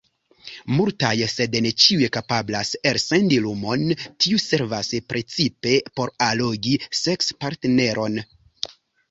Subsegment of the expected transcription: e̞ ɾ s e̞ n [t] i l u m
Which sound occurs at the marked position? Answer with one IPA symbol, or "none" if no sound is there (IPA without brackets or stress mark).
d